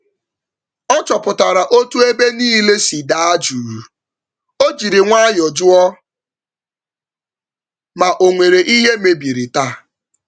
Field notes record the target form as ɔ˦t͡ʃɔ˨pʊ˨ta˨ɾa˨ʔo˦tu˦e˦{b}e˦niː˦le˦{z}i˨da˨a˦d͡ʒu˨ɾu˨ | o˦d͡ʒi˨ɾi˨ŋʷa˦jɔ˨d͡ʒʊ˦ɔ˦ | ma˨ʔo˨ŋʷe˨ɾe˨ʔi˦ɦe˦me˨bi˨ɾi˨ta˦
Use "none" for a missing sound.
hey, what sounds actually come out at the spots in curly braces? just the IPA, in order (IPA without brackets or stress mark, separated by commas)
b, s